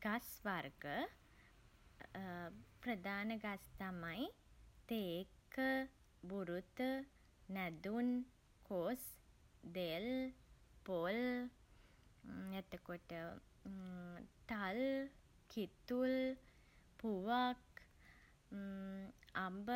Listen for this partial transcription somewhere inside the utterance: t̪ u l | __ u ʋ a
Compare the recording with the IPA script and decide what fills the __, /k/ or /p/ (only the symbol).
p